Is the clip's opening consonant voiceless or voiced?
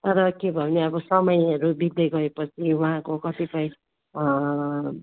voiceless